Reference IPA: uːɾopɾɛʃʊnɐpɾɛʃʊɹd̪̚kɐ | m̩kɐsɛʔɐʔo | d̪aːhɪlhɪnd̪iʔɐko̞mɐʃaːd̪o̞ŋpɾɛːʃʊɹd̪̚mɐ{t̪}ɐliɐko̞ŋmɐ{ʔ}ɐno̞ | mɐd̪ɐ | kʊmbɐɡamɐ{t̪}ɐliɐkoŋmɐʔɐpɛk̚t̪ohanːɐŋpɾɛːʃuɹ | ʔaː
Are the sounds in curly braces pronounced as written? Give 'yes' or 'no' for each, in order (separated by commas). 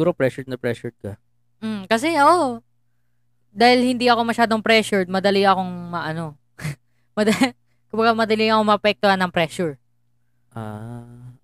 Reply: no, yes, no